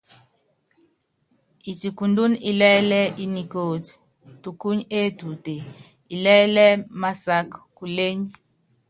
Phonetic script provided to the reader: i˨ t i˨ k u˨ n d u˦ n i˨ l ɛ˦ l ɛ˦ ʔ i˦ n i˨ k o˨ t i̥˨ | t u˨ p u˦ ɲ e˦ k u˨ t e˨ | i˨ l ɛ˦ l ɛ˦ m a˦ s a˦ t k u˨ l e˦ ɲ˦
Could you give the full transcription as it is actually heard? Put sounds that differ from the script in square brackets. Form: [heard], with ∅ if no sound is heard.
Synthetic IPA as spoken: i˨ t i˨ k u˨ n d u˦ n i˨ l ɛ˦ l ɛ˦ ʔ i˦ n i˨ k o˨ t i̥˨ | t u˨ [k] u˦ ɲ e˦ [t] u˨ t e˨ | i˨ l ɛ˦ l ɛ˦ m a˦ s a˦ [k] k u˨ l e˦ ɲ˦